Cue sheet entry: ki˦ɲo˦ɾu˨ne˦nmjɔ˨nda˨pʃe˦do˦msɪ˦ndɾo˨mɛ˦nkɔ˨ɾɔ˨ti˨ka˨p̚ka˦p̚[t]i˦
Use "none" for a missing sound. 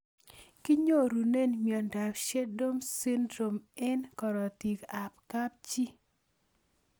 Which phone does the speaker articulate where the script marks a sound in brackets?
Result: t͡ʃ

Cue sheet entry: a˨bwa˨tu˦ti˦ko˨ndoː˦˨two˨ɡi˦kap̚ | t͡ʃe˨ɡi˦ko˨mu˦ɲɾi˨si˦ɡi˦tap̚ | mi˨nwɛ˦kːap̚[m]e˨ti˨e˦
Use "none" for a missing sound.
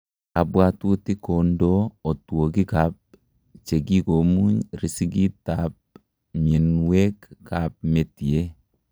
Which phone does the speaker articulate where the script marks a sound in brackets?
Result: m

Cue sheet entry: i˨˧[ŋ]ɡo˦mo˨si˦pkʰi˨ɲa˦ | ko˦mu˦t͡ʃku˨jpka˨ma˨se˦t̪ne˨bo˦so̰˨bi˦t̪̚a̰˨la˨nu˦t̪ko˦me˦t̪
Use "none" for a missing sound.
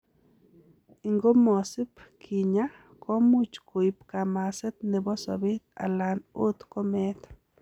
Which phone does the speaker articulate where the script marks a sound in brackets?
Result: ŋ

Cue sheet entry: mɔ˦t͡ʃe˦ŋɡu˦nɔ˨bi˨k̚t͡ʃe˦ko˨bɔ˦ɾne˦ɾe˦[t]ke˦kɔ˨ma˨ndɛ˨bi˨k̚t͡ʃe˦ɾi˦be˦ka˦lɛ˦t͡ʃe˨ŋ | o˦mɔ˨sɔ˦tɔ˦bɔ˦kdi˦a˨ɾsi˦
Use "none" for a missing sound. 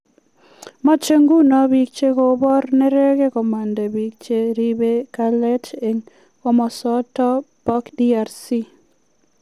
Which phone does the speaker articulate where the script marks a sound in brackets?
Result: none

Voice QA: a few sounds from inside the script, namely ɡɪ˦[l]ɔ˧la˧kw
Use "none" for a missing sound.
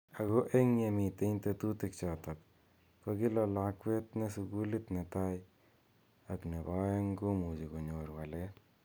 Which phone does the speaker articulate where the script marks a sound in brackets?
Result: l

